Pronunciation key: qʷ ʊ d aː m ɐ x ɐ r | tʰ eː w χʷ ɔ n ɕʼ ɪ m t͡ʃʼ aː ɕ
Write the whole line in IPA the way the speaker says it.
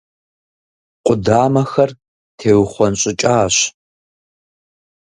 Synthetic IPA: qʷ ʊ d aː m ɐ x ɐ r | tʰ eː w χʷ ɔ n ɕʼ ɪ t͡ʃʼ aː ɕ